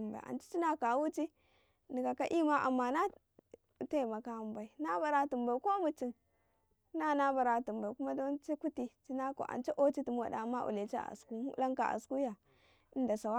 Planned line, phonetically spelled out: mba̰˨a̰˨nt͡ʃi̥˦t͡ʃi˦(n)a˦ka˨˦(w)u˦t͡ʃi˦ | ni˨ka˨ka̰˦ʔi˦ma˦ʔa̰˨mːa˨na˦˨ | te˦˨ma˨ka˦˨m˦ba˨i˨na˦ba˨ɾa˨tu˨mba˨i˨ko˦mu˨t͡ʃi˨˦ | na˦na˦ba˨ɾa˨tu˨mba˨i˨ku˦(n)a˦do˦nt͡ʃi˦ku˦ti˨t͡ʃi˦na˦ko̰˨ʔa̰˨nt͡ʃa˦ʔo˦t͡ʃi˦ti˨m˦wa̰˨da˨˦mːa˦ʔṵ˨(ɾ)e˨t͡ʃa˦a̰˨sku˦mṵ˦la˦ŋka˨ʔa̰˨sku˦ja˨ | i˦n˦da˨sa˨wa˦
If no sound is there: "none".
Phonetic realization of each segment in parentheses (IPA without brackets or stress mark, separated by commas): n, w, m, l